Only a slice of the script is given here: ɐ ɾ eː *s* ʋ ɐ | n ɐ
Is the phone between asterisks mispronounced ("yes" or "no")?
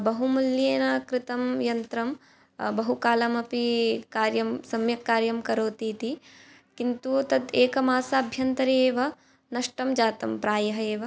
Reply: yes